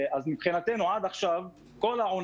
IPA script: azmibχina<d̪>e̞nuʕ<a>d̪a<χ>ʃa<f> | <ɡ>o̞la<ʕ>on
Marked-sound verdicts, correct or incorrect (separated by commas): incorrect, correct, correct, incorrect, incorrect, correct